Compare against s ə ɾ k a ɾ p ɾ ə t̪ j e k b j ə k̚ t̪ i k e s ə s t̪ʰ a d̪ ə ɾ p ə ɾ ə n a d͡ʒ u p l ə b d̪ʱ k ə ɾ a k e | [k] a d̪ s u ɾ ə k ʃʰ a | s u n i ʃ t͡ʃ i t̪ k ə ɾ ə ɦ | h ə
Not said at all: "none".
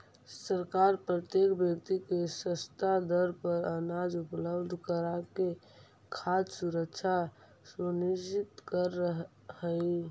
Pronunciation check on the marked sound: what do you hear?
kʰ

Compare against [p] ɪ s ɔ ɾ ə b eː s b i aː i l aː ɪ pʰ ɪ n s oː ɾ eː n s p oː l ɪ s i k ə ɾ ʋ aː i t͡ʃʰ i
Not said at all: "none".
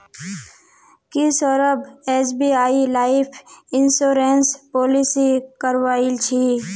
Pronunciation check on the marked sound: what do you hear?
k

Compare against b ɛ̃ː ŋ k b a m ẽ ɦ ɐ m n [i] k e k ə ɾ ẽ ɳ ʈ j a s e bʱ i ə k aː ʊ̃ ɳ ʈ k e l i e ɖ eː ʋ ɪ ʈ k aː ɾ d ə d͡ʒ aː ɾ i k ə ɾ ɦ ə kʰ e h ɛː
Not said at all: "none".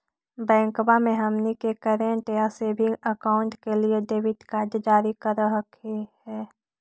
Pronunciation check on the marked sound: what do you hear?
i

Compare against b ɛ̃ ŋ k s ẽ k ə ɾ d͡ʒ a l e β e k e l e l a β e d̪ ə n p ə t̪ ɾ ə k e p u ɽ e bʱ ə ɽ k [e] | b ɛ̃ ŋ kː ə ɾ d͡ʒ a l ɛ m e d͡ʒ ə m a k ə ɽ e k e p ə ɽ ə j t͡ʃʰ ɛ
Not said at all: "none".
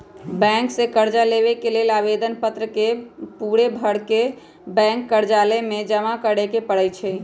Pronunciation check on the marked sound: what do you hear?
e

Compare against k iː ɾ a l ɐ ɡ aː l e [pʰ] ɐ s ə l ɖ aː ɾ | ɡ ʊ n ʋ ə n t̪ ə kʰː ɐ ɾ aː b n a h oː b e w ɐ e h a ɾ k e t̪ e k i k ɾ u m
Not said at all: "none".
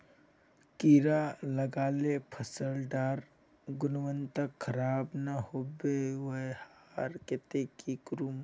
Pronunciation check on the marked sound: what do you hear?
pʰ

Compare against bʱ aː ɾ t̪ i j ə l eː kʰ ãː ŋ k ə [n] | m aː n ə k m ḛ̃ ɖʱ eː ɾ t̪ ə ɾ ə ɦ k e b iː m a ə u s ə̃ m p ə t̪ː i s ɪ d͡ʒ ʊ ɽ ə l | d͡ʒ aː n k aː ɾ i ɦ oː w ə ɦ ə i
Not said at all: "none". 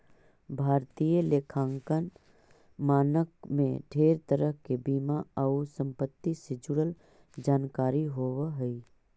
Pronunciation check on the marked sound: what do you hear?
n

